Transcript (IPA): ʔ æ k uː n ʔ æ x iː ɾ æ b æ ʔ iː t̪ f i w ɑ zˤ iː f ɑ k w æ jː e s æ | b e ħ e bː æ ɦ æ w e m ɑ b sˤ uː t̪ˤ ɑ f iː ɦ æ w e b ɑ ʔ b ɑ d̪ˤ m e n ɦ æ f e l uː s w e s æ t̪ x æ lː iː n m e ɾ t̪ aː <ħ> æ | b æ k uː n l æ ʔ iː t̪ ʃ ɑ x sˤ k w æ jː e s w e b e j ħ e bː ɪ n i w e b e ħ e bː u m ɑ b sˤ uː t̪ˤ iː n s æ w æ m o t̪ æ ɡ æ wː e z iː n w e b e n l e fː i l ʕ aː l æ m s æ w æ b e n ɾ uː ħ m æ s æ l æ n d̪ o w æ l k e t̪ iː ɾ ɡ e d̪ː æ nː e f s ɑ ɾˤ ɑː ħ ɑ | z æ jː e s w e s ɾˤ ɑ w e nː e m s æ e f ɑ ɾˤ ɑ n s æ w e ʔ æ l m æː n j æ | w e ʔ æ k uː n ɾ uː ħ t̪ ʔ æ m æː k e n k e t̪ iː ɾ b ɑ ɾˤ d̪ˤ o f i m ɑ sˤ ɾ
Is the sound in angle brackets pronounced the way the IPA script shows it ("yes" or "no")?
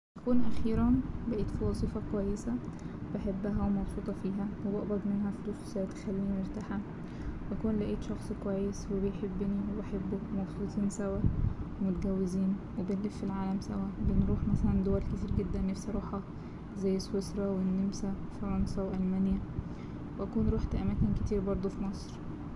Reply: yes